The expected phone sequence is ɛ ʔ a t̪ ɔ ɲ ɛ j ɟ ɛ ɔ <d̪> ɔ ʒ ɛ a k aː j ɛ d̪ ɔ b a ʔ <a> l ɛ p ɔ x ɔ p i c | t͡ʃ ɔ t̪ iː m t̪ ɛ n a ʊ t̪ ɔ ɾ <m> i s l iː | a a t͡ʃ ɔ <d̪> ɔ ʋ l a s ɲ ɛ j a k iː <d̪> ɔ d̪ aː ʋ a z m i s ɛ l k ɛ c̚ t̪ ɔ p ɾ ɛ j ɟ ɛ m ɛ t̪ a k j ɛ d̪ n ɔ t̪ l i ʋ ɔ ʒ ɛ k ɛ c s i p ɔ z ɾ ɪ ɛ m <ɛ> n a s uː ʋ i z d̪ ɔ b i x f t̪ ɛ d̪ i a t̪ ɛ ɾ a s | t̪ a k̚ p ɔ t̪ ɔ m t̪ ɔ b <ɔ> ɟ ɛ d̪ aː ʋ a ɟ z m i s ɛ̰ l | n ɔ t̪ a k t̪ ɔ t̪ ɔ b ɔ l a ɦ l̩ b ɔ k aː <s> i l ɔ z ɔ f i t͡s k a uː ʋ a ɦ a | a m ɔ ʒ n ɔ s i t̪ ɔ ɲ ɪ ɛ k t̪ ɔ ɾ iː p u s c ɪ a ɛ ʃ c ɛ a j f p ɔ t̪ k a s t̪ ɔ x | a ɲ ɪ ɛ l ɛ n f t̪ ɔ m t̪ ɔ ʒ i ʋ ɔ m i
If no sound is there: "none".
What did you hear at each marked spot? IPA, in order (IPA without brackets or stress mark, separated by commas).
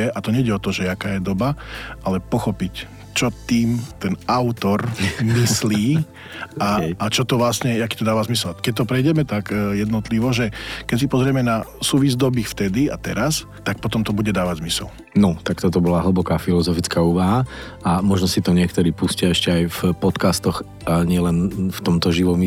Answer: t̪, a, m, t̪, t̪, ɛ, u, f